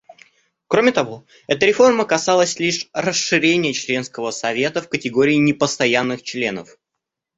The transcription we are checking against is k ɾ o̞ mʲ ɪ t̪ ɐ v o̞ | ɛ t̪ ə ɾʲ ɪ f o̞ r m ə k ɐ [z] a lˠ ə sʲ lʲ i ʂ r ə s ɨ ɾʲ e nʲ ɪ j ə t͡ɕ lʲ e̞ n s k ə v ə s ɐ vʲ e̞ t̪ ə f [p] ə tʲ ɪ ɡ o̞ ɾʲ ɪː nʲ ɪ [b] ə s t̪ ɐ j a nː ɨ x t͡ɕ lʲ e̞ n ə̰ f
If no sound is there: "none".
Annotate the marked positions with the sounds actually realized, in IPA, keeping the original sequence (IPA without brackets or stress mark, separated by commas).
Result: s, k, p